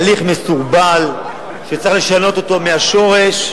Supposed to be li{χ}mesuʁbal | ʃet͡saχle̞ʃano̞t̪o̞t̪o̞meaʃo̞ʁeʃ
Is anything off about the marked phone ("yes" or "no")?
no